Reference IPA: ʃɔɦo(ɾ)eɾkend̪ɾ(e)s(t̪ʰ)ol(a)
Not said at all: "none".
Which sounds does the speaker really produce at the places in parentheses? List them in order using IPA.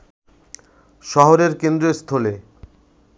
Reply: ɾ, e, t̪ʰ, e

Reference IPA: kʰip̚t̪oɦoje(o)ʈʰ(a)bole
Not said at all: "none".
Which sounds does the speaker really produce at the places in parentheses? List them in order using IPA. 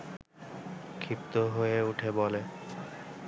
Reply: u, e

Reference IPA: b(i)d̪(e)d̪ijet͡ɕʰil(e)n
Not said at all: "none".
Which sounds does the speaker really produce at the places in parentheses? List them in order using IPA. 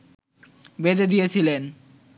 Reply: e, e, e

